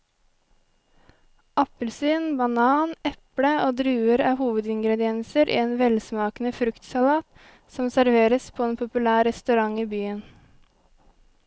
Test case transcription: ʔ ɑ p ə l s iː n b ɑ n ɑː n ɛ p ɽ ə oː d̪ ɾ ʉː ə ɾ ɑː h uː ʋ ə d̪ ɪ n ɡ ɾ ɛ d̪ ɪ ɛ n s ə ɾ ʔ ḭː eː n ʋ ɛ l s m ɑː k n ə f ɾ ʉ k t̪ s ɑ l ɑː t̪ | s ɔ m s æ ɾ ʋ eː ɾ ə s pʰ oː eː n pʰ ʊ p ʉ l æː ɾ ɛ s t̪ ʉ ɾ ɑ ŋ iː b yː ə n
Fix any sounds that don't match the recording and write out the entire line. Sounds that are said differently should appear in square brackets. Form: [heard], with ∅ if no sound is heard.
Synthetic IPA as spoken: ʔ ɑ p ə l s [yː] n b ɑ n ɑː n ɛ p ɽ ə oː d̪ ɾ ʉː ə ɾ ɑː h uː ʋ ə d̪ ɪ [ŋ] ɡ ɾ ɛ d̪ ɪ ɛ n s ə ɾ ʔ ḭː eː n ʋ ɛ l s m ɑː k n ə f ɾ ʉ k t̪ s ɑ l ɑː t̪ | s ɔ m s æ ɾ ʋ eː ɾ ə s pʰ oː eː n pʰ ʊ p ʉ l æː ɾ ɛ s t̪ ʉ ɾ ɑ ŋ iː b yː ə n